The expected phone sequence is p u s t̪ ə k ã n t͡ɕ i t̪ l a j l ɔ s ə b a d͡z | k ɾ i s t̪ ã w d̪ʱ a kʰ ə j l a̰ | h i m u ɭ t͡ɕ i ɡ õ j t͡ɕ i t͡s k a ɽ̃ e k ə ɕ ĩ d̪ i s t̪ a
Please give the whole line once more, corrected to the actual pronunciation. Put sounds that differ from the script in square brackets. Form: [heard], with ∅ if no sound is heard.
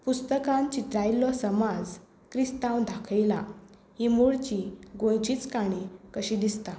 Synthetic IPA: p u s t̪ ə k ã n t͡ɕ i t̪ [ɾ] a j l ɔ s ə [m] a d͡z | k ɾ i s t̪ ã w d̪ʱ a kʰ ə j l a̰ | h i m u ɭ t͡ɕ i ɡ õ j t͡ɕ i t͡s k a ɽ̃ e k ə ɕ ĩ d̪ i s t̪ a